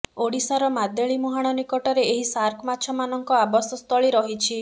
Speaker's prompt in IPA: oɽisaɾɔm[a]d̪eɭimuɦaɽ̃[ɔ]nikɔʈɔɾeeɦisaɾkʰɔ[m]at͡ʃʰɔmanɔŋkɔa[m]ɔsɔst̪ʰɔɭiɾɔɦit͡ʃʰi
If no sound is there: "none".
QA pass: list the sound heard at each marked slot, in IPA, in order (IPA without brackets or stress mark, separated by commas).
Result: a, ɔ, m, b